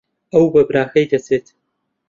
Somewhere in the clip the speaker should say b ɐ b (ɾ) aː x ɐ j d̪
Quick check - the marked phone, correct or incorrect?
correct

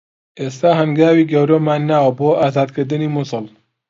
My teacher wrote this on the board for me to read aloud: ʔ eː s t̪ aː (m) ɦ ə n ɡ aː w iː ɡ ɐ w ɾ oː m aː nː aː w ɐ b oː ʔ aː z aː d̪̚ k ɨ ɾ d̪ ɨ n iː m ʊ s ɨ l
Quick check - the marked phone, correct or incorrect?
incorrect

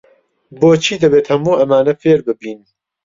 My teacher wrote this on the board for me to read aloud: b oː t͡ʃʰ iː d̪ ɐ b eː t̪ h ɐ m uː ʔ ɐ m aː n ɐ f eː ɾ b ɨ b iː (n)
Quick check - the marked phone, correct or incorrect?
correct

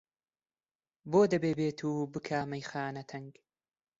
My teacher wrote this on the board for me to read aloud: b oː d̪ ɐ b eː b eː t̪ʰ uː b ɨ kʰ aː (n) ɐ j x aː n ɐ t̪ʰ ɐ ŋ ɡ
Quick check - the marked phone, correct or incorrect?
incorrect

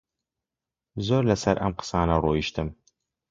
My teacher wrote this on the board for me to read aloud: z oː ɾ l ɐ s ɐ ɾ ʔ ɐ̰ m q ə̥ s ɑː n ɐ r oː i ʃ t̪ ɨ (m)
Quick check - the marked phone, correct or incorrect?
correct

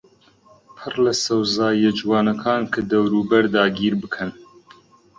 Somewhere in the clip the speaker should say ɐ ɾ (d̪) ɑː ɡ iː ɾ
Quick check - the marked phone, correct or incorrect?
correct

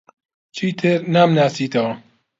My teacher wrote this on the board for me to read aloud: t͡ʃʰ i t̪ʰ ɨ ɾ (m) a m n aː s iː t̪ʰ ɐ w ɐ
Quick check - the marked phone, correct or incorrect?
incorrect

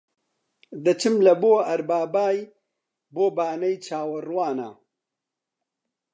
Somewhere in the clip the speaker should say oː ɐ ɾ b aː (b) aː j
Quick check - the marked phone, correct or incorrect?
correct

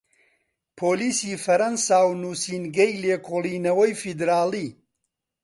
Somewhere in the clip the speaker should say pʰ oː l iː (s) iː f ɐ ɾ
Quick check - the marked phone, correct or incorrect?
correct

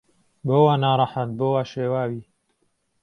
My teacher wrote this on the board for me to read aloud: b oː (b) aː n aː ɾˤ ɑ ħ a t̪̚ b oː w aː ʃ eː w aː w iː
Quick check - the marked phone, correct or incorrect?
incorrect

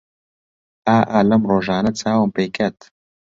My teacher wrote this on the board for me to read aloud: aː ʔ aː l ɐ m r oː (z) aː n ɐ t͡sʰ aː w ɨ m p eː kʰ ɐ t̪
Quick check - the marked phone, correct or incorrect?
incorrect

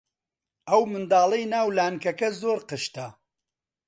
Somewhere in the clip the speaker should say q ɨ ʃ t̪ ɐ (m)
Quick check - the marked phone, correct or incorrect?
incorrect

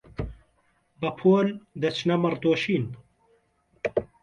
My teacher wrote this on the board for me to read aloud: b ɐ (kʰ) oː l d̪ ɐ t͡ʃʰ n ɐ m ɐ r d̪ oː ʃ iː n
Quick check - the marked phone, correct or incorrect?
incorrect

